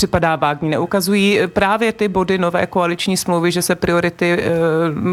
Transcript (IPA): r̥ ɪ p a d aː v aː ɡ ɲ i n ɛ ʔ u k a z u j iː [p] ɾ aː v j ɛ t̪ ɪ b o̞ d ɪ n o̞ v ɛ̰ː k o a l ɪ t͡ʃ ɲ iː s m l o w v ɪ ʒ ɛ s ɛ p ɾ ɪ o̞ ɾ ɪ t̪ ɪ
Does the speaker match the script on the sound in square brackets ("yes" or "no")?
yes